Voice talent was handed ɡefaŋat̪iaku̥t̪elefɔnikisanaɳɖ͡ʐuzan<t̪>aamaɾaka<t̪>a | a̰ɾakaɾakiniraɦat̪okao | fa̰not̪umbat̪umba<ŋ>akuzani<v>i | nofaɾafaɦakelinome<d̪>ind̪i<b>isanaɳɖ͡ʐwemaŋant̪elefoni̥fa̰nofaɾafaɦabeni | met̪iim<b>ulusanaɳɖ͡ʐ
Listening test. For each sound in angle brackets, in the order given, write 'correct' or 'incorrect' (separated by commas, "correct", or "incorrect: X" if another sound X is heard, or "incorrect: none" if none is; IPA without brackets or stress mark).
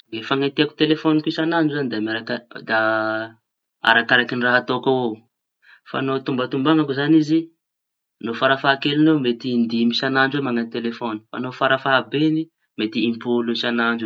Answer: incorrect: d̪, incorrect: d̪, correct, incorrect: z, incorrect: t̪, incorrect: m, incorrect: p